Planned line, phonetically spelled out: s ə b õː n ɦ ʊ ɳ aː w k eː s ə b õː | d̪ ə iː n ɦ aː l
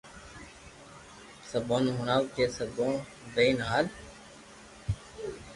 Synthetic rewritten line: s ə b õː n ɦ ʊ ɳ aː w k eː s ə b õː | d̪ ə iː n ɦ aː l